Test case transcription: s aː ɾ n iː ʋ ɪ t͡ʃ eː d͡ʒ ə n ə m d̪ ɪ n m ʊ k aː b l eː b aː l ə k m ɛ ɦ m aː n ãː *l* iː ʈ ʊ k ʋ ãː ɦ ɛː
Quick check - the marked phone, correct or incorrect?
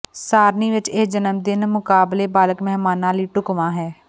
correct